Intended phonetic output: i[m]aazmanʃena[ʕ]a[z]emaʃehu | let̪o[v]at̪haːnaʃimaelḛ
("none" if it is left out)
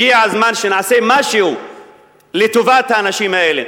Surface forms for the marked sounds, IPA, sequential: none, ʕ, s, v

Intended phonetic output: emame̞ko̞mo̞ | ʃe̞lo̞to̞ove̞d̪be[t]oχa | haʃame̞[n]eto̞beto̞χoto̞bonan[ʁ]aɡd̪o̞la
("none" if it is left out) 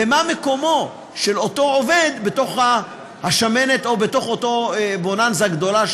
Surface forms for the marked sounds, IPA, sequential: t, n, z

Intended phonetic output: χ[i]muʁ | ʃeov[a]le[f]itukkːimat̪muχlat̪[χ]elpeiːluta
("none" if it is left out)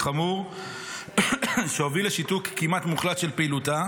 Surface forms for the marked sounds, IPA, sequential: a, i, ʃ, ʃ

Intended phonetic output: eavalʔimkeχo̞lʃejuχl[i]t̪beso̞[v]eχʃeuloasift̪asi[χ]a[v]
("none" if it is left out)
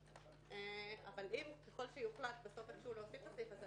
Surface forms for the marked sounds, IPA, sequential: a, f, f, z

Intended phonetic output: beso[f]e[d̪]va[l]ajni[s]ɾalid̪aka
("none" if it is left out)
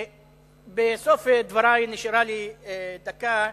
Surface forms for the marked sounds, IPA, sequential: f, d̪, ɾ, ʃ

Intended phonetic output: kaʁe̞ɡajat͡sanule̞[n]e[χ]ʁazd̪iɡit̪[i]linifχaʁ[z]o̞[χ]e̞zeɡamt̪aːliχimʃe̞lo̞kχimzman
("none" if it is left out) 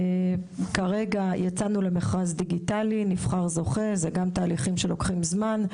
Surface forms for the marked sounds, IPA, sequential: m, χ, a, z, χ

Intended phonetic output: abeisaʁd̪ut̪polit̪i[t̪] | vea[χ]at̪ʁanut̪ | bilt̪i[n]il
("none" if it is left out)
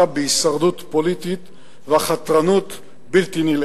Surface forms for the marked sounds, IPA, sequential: t̪, χ, n

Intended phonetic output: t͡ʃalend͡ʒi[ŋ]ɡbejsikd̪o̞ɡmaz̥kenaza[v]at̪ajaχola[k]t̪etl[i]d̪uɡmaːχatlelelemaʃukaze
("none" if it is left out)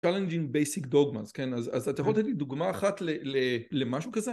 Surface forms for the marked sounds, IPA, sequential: ŋ, z, none, i

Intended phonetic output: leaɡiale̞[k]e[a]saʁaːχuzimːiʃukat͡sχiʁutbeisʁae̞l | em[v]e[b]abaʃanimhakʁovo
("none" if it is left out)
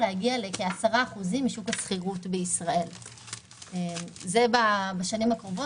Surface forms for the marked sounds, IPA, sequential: k, a, z, b

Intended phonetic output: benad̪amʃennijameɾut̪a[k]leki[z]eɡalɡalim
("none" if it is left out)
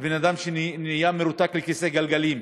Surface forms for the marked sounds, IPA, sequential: k, s

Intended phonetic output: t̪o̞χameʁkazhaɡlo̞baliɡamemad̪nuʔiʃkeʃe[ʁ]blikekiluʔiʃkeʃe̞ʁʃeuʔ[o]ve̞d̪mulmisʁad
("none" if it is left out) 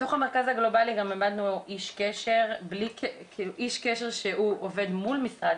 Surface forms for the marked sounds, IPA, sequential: ʁ, o

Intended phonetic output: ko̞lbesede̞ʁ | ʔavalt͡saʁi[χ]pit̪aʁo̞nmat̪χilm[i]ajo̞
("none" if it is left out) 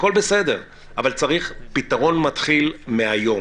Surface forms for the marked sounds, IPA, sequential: χ, e

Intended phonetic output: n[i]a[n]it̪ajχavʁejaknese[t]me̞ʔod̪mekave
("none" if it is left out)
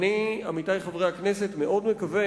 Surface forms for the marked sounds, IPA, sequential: i, m, t

